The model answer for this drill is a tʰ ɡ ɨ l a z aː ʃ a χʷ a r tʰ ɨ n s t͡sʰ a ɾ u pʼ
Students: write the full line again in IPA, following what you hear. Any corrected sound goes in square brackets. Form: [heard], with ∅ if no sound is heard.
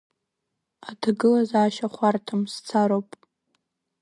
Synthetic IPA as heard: a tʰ ɡ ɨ l a z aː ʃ a χʷ a r tʰ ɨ [m] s t͡sʰ a ɾ [o] pʼ